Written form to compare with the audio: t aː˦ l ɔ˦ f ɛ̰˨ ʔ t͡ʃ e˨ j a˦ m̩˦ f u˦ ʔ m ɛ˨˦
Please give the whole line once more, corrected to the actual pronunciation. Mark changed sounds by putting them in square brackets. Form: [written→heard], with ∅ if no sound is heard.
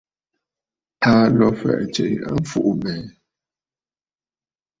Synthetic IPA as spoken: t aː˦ l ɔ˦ f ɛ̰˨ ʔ t͡ʃ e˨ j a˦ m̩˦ f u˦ ʔ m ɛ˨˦